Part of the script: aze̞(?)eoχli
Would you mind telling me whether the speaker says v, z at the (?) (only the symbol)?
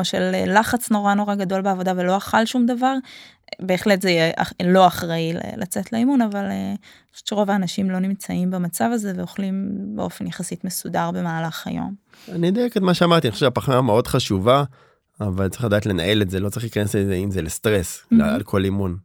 v